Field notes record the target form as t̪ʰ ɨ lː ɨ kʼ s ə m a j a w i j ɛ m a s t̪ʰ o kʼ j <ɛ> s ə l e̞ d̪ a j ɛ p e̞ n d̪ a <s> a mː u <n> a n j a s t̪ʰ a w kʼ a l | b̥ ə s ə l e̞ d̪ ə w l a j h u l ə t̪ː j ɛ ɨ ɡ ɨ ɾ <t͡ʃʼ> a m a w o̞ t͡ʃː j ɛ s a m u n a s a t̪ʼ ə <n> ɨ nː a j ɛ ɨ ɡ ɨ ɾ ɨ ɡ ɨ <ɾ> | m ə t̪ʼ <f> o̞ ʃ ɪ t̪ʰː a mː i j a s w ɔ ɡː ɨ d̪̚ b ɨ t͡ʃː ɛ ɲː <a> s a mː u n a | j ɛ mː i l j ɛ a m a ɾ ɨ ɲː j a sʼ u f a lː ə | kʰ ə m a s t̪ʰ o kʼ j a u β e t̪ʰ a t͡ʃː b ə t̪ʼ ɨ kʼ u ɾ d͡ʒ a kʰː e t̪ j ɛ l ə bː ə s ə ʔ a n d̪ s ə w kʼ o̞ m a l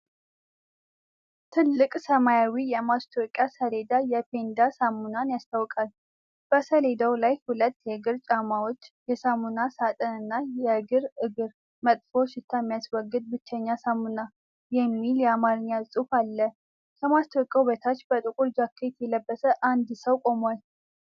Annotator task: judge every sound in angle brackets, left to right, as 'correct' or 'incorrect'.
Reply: incorrect, correct, correct, correct, correct, correct, correct, correct

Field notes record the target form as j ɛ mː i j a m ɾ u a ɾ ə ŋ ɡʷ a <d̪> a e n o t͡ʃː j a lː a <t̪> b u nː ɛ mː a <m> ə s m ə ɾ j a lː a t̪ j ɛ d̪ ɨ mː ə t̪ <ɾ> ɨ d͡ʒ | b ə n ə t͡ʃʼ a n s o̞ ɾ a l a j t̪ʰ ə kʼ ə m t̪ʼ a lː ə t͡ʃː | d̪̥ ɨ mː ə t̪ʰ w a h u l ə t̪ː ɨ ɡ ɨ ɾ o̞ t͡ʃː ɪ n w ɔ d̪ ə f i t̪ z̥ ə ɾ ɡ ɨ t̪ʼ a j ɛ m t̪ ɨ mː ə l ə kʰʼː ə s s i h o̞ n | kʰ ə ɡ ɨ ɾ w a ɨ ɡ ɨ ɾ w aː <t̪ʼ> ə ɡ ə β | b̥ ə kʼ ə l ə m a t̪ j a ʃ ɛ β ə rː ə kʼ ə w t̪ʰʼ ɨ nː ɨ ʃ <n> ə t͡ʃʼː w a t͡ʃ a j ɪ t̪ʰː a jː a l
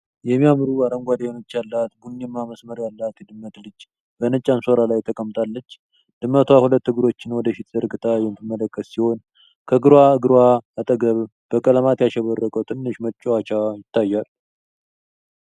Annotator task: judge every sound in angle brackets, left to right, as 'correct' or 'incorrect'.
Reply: correct, correct, correct, incorrect, correct, incorrect

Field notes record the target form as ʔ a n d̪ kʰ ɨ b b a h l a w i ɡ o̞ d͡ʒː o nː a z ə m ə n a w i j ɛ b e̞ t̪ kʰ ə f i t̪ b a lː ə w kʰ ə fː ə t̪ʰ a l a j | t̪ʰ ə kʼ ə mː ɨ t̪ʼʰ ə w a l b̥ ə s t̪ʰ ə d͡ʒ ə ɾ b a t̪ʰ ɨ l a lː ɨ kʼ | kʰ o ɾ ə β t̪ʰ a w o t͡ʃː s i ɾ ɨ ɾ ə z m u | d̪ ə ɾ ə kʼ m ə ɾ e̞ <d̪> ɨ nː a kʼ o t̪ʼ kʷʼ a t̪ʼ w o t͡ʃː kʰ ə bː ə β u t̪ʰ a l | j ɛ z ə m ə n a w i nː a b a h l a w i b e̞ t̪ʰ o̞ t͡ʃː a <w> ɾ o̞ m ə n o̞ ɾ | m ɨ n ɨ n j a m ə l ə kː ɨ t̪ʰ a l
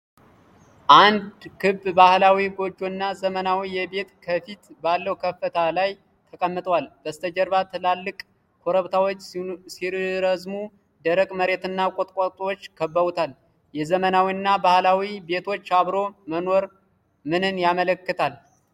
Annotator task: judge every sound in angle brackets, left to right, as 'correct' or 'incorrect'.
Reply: incorrect, incorrect

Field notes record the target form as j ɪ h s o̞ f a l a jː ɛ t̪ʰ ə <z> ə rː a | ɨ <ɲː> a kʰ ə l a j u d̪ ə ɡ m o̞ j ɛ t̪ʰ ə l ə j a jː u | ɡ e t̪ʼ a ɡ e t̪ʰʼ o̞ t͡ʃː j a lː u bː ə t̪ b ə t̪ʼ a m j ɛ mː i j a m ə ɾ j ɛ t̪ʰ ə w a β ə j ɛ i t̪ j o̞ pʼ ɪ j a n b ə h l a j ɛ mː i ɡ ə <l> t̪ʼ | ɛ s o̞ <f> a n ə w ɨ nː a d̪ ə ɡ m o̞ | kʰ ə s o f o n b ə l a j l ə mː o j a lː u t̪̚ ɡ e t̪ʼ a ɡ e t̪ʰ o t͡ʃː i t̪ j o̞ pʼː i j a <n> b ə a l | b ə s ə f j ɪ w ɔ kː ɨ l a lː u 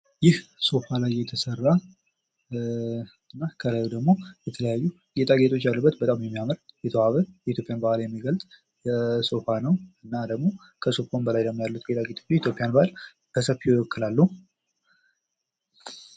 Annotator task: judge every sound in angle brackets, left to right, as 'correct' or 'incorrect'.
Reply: incorrect, incorrect, correct, correct, correct

